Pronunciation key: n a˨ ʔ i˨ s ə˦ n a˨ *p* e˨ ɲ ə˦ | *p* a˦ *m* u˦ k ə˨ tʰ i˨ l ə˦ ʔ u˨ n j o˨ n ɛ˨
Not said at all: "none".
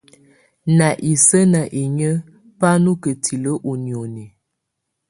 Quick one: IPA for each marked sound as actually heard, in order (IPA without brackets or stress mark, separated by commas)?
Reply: ʔ, p, n